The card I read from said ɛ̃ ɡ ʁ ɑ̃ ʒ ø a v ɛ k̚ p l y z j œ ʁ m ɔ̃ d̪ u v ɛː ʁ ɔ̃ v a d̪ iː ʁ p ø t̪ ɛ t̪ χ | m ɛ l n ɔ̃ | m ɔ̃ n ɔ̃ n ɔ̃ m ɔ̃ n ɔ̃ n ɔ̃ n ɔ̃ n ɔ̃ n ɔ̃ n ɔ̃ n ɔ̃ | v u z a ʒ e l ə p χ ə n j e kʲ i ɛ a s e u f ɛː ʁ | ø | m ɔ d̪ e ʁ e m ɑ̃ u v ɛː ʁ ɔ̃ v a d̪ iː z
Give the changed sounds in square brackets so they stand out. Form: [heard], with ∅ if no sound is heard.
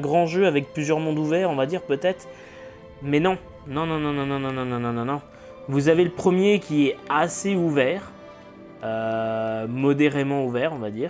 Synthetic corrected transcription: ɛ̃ ɡ ʁ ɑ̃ ʒ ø a v ɛ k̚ p l y z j œ ʁ m ɔ̃ d̪ u v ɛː ʁ ɔ̃ v a d̪ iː ʁ p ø t̪ ɛ t̪ χ | m ɛ [∅] n ɔ̃ | [n] ɔ̃ n ɔ̃ n ɔ̃ [n] ɔ̃ n ɔ̃ n ɔ̃ n ɔ̃ n ɔ̃ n ɔ̃ n ɔ̃ n ɔ̃ | v u z a [v] e l ə p χ ə [m] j e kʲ i ɛ a s e u [v] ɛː ʁ | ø | m ɔ d̪ e ʁ e m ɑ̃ u v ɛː ʁ ɔ̃ v a d̪ iː [ʁ]